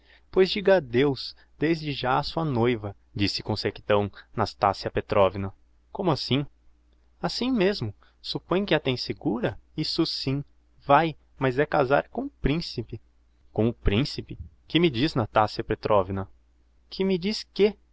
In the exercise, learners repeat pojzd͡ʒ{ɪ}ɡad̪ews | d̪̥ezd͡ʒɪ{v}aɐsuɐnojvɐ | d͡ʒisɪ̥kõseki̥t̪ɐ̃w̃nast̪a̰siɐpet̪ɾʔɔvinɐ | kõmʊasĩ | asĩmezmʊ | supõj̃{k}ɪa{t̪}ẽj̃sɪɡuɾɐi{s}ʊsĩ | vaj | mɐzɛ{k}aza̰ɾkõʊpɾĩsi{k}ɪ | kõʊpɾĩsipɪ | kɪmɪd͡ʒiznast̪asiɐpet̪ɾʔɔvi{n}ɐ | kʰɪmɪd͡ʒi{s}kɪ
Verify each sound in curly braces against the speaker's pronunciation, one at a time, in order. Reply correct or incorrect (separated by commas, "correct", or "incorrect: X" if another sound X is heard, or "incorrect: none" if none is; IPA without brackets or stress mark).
incorrect: i, incorrect: ʒ, correct, correct, correct, correct, incorrect: p, correct, correct